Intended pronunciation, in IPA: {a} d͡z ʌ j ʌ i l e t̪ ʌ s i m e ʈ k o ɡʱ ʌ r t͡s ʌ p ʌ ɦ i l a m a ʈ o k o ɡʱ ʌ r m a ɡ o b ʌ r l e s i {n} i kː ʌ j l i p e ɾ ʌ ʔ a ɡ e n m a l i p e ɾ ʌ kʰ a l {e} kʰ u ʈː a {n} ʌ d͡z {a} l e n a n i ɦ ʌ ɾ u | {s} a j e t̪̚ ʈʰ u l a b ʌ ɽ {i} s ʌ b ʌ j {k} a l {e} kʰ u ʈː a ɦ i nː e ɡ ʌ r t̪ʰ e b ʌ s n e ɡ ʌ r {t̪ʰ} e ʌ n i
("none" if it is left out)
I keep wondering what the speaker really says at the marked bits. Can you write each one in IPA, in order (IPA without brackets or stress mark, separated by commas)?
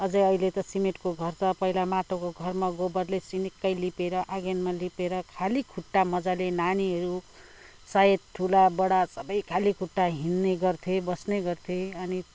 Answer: ʌ, n, i, m, a, s, a, kʰ, i, t̪ʰ